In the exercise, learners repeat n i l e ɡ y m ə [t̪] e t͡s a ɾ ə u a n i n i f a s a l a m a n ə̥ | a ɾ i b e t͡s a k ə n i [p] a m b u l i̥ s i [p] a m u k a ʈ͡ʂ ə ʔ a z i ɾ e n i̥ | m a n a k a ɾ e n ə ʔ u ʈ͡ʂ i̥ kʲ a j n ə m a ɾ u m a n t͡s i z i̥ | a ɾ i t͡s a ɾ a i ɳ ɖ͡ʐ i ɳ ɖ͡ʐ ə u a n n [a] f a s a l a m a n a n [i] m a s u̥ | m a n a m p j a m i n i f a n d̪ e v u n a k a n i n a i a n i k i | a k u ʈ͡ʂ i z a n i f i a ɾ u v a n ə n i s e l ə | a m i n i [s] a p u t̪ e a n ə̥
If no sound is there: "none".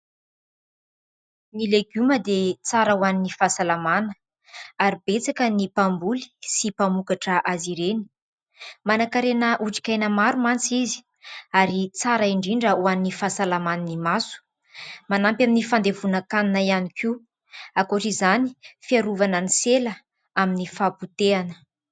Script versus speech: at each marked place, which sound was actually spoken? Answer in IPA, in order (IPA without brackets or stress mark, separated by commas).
d̪, p, p, i, i, f